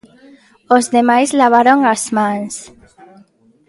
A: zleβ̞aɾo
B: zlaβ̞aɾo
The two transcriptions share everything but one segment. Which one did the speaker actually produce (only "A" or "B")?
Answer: B